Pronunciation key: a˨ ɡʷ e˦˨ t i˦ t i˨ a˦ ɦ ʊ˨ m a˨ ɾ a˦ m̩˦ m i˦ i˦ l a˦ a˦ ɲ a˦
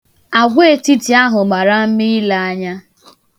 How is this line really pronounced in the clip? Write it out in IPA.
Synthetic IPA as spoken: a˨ ɡʷ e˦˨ t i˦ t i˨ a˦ ɦ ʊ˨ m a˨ ɾ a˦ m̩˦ m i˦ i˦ l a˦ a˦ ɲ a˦